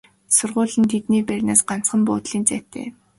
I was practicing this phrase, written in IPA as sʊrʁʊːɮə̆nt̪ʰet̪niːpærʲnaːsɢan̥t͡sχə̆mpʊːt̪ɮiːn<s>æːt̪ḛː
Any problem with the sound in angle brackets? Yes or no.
yes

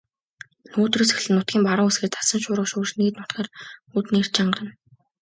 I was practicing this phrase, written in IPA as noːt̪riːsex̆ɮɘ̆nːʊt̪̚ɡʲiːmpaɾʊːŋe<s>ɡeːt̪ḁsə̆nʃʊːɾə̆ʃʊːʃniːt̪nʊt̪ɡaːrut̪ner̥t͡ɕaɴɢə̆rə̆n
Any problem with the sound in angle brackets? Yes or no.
no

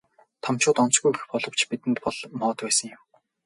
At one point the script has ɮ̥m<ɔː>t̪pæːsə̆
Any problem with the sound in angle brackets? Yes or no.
no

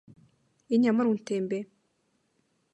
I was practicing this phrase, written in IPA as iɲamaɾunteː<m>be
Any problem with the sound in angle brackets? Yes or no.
no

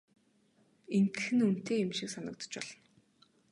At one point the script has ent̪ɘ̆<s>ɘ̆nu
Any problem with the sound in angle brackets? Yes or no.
yes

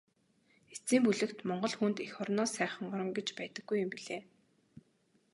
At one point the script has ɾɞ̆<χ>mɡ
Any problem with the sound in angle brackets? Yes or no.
yes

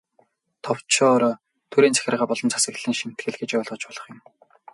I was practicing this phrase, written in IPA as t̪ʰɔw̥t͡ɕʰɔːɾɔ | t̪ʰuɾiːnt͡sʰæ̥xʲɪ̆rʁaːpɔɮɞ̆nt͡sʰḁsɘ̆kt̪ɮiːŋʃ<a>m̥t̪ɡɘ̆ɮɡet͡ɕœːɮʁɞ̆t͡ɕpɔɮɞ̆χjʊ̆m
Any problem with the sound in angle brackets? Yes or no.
yes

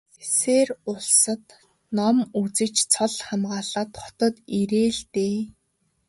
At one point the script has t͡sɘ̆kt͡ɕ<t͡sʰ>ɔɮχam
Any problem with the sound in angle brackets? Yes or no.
no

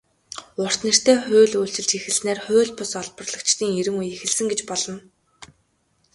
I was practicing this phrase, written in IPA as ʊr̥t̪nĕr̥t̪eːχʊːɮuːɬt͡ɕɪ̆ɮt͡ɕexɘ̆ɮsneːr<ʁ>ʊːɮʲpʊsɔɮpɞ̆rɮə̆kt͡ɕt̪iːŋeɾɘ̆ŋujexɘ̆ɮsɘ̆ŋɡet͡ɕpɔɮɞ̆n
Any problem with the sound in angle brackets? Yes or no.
yes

